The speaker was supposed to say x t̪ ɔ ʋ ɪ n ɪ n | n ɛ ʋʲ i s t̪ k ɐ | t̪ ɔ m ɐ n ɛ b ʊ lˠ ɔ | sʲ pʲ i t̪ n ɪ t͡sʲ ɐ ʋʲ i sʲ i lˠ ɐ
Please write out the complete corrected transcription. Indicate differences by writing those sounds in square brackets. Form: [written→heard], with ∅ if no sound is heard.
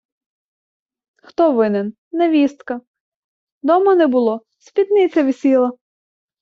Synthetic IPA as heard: x t̪ ɔ ʋ ɪ n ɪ n | n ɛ ʋʲ i s t̪ k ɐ | [t̪→d̪] ɔ m ɐ n ɛ b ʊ lˠ ɔ | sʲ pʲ i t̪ n ɪ t͡sʲ ɐ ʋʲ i sʲ i lˠ ɐ